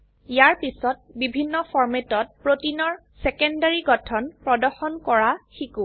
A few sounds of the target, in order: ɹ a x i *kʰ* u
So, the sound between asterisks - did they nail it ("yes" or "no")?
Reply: no